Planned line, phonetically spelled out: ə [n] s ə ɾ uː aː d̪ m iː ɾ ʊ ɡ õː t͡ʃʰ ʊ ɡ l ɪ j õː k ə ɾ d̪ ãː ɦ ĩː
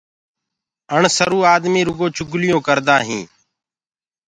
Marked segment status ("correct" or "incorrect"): incorrect